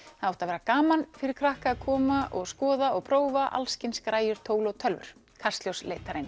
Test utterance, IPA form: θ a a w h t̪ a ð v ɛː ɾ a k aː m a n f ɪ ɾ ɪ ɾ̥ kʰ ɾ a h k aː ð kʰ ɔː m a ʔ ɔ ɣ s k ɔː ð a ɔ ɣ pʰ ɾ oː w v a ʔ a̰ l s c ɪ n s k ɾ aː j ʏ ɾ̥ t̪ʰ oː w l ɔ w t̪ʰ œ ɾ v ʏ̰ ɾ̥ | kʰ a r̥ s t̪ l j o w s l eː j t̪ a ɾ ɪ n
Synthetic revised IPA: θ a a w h t̪ a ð v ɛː ɾ a k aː m a n f ɪ ɾ ɪ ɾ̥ kʰ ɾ a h k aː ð kʰ ɔː m a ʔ ɔ ɣ s k ɔː ð a ɔ ɣ pʰ ɾ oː w v a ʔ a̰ l s c ɪ n s k ɾ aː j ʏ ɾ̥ t̪ʰ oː w l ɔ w t̪ʰ œ l v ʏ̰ ɾ̥ | kʰ a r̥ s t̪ l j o w s l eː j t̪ a ɾ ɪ n